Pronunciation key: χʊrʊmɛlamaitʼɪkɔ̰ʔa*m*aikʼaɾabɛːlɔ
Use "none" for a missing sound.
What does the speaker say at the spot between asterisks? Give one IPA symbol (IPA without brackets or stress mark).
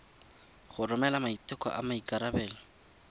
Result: m